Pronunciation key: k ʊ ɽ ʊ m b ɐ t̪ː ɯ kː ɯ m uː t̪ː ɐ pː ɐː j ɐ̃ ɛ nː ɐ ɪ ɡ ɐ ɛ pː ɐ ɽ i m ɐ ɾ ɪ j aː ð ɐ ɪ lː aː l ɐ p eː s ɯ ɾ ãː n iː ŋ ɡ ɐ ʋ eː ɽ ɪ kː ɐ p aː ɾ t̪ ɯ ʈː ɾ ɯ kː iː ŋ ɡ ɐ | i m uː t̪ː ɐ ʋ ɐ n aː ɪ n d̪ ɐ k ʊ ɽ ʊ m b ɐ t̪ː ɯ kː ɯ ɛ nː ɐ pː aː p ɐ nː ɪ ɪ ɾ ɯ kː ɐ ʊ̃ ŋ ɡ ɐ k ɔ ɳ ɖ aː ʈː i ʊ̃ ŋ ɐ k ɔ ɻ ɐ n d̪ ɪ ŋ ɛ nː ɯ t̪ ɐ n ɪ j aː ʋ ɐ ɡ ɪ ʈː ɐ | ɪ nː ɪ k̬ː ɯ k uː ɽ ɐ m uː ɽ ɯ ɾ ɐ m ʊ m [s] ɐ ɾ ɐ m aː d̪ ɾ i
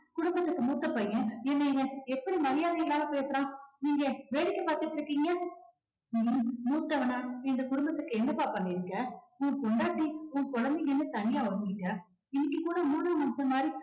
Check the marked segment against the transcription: correct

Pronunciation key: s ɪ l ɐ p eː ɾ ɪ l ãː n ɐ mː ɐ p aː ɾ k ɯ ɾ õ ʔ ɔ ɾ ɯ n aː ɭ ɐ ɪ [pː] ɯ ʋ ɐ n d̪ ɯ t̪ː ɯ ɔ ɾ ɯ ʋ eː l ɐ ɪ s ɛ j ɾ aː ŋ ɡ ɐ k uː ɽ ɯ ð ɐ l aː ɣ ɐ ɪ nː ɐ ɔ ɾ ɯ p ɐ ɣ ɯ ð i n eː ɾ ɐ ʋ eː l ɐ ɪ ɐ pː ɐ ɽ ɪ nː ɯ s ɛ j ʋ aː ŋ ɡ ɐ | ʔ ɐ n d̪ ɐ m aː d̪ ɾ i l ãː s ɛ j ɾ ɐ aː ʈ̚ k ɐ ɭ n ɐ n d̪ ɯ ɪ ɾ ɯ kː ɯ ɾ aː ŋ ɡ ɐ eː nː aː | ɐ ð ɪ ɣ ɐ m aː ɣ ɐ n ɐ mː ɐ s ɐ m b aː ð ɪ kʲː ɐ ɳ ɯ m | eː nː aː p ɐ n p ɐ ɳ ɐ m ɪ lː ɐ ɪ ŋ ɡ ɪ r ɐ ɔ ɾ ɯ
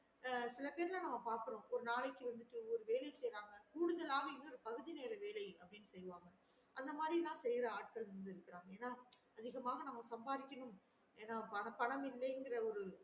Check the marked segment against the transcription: incorrect: kː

